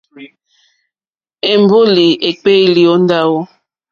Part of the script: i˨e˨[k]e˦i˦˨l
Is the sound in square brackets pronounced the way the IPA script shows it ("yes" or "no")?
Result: no